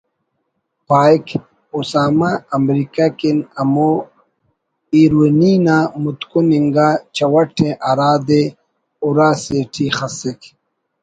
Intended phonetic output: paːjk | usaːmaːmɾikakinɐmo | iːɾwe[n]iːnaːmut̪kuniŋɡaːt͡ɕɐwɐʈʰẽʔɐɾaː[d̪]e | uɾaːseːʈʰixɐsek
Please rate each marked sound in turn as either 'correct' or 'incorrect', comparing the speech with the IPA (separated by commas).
correct, correct